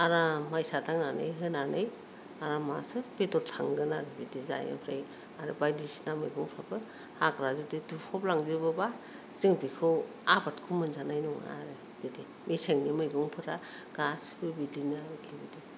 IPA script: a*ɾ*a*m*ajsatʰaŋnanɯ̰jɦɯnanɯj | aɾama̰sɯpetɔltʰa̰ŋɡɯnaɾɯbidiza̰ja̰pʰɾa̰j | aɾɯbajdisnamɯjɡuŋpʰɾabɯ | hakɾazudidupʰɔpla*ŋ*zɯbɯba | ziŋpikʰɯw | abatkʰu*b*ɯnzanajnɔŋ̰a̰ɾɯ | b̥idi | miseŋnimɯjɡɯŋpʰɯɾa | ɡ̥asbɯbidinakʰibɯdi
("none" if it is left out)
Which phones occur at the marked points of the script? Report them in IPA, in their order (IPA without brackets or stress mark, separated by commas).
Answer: ɾ, m, ŋ, m